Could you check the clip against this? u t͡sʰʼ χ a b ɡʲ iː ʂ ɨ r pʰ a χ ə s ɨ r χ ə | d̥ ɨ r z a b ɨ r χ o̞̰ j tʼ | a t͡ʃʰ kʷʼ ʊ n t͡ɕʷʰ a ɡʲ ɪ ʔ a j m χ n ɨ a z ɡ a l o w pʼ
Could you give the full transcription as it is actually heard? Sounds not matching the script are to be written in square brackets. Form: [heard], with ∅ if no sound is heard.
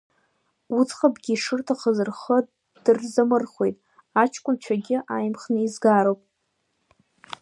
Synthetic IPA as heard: u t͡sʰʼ χ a b ɡʲ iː ʂ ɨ r [tʰ] a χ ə [z] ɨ r χ ə | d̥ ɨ r z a [m] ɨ r χ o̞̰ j tʼ | a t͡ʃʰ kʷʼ ʊ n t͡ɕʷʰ a ɡʲ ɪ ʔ a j m χ n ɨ [i] z ɡ a [ɾ] o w pʼ